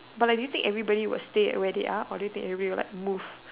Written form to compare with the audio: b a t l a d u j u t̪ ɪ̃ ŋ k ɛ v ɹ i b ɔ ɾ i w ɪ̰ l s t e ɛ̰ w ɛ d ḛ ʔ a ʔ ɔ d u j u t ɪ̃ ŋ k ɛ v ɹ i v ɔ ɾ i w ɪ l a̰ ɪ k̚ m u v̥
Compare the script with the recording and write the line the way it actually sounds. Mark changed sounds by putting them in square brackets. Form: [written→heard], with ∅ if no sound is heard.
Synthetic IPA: b a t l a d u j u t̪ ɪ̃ ŋ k ɛ v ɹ i b ɔ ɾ i w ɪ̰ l s t e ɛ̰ w ɛ d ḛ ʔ a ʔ ɔ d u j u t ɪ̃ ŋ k ɛ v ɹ i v ɔ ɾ i w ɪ l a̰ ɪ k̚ m u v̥